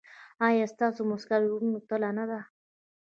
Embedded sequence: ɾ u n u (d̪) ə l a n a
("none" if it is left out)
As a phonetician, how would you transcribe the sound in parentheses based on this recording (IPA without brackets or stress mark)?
t̪